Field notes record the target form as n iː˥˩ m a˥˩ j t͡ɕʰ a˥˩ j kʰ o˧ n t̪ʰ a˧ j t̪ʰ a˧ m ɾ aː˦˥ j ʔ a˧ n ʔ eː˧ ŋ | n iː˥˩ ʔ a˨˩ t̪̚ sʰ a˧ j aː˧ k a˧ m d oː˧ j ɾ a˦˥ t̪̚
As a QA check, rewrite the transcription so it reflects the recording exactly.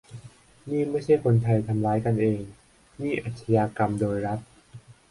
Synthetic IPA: n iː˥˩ m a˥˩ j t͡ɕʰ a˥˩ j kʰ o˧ n t̪ʰ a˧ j t̪ʰ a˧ m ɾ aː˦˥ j k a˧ n ʔ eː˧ ŋ | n iː˥˩ ʔ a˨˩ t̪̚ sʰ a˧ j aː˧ k a˧ m d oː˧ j ɾ a˦˥ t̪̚